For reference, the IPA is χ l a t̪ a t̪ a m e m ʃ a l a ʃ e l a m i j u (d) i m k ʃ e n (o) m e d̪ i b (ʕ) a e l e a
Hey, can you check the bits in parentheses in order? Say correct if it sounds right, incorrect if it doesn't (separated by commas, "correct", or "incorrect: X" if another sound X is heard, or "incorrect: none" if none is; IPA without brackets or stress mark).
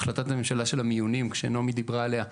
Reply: incorrect: n, correct, incorrect: ʁ